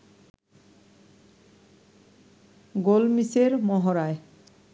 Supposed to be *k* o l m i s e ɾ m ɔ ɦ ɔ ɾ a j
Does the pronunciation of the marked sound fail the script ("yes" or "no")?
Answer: yes